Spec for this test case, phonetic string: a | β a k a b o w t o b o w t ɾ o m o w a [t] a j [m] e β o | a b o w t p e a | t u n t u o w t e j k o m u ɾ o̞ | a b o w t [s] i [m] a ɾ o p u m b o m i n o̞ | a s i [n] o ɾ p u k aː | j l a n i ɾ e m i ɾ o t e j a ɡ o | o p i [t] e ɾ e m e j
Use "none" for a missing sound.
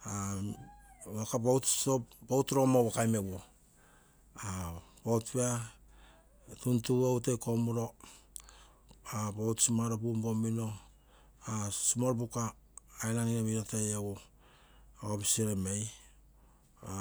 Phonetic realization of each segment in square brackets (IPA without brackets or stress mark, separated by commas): k, m, s, m, m, s